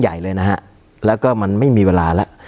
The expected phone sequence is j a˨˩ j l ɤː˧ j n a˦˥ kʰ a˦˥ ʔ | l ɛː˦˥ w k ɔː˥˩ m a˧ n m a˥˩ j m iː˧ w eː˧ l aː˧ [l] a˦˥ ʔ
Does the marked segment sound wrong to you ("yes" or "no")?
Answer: no